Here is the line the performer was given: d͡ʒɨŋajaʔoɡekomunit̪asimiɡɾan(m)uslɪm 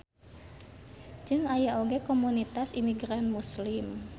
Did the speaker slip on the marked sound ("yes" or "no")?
no